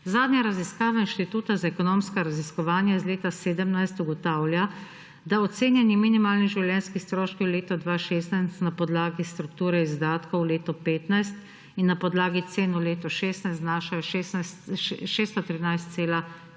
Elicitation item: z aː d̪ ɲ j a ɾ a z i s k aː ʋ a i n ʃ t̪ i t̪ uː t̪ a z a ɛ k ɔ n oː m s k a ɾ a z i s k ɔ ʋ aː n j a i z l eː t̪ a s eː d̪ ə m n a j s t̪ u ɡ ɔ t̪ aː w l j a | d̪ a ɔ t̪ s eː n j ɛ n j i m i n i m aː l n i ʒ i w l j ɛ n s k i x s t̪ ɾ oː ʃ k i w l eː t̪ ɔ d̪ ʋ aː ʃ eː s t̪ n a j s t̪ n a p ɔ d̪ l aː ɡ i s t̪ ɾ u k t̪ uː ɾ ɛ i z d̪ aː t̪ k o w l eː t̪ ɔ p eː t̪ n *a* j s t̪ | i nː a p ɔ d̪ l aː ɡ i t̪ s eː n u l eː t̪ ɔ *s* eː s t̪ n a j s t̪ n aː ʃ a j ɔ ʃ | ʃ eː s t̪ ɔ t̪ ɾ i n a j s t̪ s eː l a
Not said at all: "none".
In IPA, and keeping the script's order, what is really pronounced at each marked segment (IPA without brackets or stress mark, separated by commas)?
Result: a, ʃ